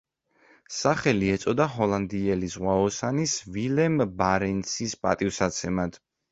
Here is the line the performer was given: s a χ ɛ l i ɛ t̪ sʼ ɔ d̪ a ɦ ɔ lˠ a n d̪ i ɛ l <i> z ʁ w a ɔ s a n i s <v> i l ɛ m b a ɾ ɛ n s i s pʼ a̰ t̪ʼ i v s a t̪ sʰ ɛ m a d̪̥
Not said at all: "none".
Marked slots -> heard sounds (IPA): i, v

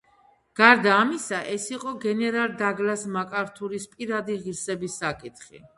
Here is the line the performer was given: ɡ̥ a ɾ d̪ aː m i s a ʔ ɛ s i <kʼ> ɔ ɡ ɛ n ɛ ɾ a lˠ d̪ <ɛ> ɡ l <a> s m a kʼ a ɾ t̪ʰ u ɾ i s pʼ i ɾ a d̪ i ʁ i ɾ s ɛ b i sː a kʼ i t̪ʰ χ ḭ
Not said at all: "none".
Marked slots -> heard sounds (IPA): qʼ, a, a

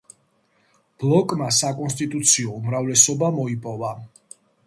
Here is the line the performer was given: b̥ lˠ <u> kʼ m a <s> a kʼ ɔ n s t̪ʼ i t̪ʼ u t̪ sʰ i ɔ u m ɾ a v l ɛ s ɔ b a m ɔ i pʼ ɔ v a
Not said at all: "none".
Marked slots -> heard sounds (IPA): ɔ, s

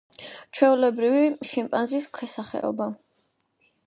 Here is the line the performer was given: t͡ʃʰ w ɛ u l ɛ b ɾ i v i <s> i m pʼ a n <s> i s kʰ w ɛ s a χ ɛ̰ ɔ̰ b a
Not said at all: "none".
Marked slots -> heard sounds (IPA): ʃ, z

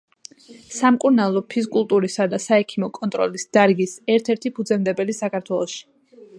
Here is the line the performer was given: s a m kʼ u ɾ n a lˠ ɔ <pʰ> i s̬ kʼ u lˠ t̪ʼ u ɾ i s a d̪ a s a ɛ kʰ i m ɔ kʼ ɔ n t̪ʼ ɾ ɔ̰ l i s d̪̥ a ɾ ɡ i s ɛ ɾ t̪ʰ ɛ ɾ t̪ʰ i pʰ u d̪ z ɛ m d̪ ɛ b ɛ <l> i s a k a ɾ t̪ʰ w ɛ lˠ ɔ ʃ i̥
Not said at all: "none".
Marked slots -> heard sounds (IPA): pʰ, l

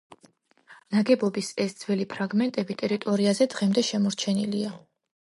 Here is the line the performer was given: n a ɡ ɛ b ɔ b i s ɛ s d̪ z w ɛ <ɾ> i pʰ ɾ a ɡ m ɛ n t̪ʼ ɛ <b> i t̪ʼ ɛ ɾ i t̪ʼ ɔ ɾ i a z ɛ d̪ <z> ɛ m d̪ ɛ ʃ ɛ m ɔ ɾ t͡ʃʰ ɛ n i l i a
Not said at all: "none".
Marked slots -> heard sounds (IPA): l, b, ʁ

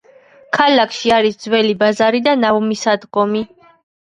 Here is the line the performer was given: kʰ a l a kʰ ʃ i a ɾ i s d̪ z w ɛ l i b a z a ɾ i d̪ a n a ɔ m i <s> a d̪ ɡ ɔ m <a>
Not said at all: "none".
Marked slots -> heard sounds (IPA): s, i

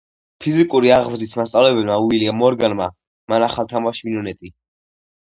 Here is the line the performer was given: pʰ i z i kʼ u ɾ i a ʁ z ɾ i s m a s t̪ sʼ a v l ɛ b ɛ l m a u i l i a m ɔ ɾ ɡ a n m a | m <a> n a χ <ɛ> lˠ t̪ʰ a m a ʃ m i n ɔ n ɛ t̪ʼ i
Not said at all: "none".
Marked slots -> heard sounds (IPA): a, a

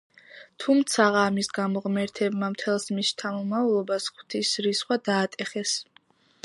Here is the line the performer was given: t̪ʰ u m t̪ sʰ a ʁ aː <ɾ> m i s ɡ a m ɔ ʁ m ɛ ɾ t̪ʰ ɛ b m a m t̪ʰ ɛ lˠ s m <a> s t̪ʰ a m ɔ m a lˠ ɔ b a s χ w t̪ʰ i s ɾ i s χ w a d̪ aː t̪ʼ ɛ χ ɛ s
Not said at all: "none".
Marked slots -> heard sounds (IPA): none, i

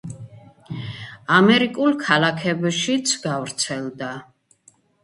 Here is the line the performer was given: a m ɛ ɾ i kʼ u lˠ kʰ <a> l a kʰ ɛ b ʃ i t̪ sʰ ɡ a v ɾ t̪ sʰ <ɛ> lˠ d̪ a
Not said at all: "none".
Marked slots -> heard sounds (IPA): a, ɛ

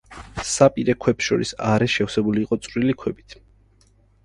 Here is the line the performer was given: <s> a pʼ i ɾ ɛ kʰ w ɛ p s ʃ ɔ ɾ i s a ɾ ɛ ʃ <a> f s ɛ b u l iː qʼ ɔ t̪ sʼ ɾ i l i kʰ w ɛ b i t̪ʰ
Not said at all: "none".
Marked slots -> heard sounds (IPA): s, ɛ

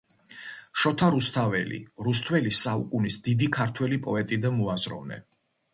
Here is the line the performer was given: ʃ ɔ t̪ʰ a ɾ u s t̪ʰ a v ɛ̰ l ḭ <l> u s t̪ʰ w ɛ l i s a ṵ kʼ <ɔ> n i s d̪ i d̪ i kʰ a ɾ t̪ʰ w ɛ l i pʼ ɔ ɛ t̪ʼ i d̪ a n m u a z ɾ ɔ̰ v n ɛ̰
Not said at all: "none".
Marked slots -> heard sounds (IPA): ɾ, u

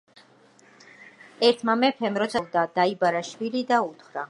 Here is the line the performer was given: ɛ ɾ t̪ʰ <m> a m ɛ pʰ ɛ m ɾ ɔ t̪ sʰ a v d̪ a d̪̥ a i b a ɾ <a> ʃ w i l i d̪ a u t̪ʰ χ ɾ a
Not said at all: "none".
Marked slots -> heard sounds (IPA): m, a

